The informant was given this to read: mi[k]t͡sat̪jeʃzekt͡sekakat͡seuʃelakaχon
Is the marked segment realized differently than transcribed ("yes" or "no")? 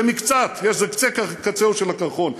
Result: no